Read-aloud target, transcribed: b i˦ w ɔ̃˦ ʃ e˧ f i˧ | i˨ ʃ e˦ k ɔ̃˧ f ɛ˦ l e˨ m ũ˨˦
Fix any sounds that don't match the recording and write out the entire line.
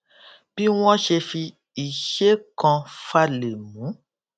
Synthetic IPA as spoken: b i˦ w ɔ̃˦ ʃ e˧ f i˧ | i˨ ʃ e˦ k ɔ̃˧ f a˦ l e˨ m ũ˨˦

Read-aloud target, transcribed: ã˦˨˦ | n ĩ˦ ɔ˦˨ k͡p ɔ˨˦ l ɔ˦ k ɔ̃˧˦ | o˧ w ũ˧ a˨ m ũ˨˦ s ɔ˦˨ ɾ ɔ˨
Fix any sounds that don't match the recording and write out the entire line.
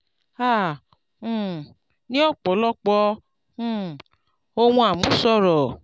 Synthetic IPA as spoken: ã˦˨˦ | n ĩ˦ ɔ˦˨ k͡p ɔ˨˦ l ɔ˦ k͡p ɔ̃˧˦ | o˧ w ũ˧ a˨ m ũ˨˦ s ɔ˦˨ ɾ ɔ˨

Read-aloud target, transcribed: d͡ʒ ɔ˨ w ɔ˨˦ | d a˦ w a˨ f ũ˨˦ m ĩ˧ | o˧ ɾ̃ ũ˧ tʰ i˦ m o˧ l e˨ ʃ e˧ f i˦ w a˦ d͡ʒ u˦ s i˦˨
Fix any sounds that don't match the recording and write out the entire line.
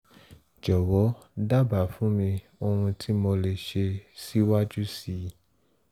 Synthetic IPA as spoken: d͡ʒ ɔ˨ w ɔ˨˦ | d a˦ b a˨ f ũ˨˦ m ĩ˧ | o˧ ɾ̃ ũ˧ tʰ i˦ m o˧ l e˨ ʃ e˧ s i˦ w a˦ d͡ʒ u˦ s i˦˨

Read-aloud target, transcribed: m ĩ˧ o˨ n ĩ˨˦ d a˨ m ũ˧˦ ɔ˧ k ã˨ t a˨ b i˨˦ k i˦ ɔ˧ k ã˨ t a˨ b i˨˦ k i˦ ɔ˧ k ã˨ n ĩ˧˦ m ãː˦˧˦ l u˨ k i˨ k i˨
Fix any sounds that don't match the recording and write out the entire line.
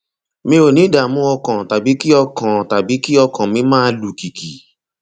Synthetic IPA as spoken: m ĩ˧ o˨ n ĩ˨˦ d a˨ m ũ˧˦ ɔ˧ k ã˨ t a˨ b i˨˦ k i˦ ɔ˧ k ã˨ t a˨ b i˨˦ k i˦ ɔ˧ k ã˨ m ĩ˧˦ m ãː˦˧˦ l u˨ k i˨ k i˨

